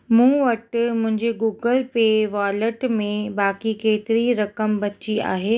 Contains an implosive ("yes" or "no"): no